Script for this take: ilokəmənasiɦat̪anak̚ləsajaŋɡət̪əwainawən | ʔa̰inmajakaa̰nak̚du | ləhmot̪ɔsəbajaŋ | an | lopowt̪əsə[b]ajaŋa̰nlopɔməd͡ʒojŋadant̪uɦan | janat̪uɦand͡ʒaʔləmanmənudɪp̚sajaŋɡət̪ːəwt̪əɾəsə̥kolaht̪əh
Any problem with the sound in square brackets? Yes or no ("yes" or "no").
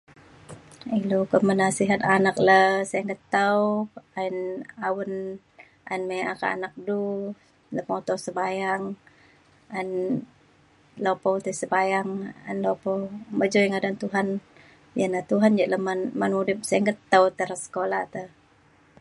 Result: no